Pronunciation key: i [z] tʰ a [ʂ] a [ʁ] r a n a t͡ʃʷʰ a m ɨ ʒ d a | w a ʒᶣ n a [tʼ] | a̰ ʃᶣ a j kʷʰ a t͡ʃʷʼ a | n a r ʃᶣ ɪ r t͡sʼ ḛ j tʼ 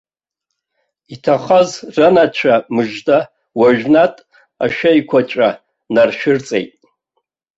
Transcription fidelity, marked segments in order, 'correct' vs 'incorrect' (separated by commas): incorrect, incorrect, incorrect, correct